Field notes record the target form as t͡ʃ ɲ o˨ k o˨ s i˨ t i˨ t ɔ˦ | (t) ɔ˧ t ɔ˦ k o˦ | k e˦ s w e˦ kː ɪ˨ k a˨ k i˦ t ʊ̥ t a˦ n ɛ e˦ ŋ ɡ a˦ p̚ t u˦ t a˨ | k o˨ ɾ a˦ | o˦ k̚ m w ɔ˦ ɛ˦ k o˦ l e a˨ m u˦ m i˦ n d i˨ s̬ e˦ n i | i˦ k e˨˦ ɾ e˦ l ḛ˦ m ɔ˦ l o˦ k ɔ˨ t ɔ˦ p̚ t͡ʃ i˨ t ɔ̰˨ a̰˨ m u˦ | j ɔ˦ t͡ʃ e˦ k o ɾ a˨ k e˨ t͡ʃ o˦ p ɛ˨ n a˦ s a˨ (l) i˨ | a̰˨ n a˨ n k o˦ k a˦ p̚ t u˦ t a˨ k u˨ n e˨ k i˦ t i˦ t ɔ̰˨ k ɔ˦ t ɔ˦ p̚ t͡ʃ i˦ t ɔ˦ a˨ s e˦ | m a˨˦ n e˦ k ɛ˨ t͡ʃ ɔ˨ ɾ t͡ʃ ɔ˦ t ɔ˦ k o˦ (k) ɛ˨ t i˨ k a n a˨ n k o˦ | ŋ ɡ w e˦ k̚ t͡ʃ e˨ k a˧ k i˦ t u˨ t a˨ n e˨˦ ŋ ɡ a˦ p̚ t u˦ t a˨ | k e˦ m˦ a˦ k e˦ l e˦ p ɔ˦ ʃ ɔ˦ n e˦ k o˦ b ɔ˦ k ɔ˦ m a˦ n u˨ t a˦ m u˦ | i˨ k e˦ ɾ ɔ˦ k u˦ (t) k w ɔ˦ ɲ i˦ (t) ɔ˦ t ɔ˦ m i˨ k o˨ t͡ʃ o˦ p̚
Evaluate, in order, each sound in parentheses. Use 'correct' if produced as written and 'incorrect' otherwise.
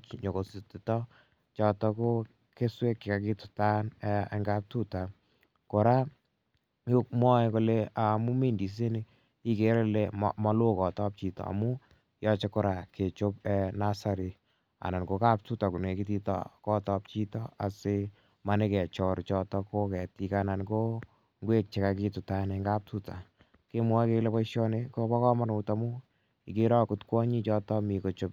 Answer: incorrect, incorrect, correct, correct, incorrect

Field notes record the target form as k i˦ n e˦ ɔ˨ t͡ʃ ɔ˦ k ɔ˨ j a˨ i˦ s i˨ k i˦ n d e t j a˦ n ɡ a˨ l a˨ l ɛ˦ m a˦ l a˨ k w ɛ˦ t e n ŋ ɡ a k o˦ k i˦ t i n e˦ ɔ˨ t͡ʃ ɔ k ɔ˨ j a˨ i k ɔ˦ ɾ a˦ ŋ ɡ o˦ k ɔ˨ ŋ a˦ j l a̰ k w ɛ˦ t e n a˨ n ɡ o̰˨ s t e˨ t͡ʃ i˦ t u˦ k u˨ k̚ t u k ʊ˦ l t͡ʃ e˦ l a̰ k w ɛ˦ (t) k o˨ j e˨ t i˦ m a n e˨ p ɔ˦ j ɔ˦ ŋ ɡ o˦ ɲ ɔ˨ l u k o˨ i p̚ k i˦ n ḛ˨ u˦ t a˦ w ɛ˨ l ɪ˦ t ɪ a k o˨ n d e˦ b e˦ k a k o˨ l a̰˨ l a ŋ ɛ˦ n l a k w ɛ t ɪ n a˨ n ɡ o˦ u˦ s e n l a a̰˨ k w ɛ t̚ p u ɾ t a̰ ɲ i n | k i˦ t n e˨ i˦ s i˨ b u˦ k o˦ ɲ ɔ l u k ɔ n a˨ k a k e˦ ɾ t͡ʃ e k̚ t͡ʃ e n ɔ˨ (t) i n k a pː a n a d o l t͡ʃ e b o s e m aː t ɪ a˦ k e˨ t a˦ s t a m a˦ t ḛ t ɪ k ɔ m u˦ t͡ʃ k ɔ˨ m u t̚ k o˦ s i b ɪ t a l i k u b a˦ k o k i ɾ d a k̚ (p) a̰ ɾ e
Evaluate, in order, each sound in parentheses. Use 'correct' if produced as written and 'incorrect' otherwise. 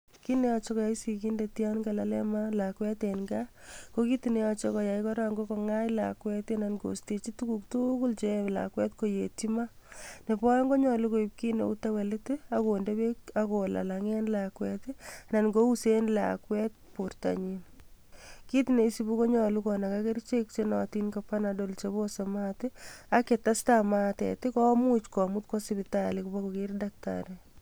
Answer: correct, correct, incorrect

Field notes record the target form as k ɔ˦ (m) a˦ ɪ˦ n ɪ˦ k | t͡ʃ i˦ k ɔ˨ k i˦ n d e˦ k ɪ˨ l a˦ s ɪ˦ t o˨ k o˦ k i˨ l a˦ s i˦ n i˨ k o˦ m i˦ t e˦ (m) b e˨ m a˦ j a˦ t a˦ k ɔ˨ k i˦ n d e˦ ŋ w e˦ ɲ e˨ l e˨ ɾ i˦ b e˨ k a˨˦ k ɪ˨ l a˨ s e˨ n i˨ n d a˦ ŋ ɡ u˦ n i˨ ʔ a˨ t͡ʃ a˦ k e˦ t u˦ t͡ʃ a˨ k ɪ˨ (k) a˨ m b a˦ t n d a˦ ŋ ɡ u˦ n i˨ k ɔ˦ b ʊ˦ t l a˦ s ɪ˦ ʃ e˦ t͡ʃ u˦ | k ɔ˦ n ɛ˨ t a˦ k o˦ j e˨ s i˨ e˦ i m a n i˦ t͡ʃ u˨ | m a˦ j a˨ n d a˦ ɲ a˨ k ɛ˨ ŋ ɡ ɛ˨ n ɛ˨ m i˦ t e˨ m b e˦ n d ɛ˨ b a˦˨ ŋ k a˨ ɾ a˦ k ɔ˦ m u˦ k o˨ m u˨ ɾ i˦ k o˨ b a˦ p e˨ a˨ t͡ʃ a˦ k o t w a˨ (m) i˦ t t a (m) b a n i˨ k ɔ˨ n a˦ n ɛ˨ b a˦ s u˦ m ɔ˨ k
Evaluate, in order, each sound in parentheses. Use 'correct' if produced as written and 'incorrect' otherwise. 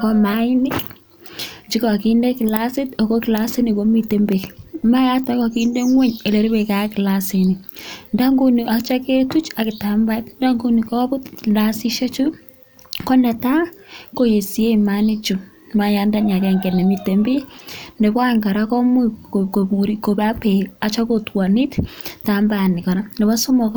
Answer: correct, correct, incorrect, incorrect, correct

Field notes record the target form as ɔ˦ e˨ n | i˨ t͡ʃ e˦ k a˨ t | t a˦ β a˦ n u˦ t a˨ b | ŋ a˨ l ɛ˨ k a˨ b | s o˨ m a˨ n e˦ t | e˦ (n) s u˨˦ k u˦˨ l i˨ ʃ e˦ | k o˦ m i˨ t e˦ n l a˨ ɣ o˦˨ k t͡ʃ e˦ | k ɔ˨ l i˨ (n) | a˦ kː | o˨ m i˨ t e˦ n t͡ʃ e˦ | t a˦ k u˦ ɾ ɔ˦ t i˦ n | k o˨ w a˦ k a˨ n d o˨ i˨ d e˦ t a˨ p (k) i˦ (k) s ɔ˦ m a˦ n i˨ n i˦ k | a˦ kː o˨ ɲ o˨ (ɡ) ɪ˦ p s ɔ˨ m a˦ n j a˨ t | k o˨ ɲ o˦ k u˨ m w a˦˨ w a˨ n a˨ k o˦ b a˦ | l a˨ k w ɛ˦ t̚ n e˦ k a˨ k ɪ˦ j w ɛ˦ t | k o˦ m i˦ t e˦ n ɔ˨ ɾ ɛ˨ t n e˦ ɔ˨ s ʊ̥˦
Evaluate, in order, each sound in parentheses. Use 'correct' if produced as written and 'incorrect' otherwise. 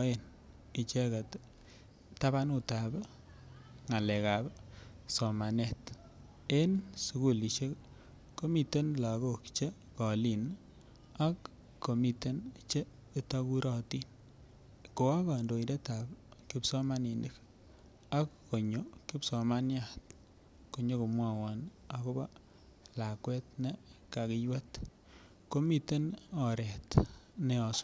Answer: correct, correct, correct, incorrect, incorrect

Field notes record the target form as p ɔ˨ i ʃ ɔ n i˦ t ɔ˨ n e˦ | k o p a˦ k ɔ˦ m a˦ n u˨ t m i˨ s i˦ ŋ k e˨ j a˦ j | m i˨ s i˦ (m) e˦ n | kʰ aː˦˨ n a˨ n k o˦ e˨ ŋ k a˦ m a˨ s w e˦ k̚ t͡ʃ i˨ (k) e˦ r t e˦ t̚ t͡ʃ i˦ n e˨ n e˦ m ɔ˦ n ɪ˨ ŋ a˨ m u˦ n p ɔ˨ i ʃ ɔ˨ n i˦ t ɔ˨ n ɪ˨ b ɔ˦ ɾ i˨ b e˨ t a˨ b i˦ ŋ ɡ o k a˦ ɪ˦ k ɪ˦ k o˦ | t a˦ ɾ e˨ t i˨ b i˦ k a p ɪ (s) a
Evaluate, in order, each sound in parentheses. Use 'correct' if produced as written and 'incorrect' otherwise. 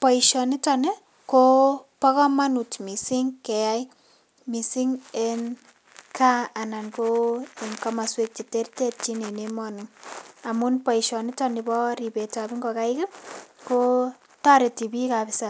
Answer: incorrect, incorrect, correct

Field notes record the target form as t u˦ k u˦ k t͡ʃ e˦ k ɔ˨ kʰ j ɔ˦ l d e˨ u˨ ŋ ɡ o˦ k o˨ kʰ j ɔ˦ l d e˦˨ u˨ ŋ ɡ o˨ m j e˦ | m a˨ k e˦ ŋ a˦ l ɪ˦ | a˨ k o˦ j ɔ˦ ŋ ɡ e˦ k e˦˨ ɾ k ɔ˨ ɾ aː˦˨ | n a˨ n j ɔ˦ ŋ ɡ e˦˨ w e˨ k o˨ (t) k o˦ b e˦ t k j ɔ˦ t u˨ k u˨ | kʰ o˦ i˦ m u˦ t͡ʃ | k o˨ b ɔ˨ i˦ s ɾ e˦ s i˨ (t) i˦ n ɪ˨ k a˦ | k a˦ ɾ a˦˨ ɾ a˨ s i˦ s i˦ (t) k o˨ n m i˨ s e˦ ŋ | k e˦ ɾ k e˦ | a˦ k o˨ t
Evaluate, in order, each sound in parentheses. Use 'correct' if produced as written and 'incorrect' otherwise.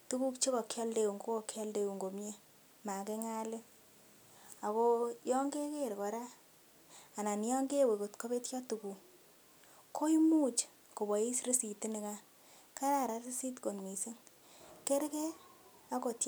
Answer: correct, correct, correct

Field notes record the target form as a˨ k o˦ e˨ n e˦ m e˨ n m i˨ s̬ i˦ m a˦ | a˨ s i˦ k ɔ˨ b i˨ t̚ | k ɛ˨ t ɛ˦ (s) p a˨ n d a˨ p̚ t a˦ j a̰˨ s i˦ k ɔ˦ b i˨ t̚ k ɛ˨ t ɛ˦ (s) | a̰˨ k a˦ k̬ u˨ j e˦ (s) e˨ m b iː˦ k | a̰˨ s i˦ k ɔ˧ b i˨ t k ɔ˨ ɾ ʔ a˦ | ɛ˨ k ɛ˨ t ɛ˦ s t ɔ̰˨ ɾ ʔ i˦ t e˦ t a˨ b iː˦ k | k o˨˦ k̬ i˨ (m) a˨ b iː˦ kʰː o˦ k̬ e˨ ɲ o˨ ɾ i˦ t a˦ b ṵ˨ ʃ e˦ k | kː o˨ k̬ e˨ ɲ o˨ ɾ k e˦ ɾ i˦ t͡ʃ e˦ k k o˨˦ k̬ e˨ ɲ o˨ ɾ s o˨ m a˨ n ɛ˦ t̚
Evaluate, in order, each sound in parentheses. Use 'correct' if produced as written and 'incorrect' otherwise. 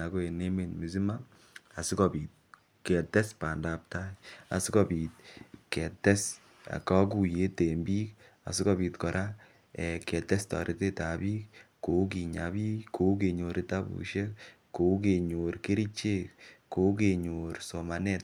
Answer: correct, correct, incorrect, incorrect

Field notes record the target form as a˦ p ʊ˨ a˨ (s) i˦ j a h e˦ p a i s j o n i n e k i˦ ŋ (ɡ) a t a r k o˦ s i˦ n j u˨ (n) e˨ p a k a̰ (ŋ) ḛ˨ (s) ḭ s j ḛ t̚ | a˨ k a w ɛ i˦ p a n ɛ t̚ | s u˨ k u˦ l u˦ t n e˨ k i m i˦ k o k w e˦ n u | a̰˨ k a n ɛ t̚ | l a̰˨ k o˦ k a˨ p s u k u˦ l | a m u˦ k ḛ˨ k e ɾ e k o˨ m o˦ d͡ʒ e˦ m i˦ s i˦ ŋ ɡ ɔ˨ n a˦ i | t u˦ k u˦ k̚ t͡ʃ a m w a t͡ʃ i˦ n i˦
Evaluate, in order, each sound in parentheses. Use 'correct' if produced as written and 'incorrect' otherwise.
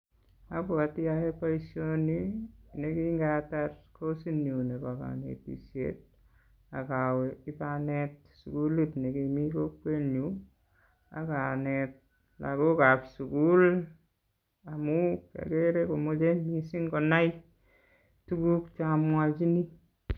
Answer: incorrect, correct, correct, incorrect, incorrect

